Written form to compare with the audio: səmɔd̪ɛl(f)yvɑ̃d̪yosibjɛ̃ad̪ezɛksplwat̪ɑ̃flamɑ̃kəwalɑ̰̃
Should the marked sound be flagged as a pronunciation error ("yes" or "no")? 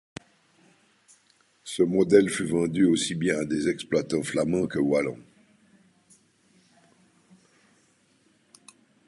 no